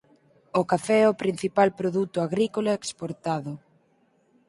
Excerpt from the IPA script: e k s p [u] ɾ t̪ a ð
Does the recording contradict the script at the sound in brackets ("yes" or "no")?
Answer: yes